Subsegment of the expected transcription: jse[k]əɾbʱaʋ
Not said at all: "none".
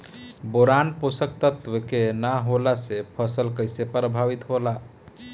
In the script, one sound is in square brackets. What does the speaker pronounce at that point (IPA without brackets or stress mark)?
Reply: p